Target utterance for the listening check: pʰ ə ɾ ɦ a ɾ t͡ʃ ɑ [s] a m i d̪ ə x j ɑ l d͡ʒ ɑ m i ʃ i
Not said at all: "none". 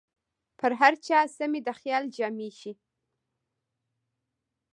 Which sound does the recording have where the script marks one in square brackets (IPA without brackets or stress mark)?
s